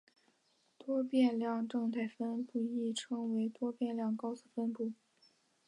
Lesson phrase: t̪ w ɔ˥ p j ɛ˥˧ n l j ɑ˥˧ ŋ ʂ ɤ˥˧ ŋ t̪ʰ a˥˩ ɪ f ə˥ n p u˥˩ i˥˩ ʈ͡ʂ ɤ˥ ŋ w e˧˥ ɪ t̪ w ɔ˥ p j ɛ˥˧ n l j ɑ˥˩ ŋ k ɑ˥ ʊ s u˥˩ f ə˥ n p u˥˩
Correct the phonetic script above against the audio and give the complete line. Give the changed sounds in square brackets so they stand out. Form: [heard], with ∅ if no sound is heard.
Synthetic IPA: t̪ w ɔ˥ p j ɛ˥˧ n l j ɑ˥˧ ŋ [ʈ͡ʂ] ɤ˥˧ ŋ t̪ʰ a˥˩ ɪ f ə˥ n p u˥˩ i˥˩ [ʈ͡ʂʰ] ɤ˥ ŋ w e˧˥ ɪ t̪ w ɔ˥ p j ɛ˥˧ n l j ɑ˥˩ ŋ k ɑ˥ ʊ s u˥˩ f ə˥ n p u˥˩